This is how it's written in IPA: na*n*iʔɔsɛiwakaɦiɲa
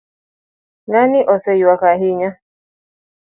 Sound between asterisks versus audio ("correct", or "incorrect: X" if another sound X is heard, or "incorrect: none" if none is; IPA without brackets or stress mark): correct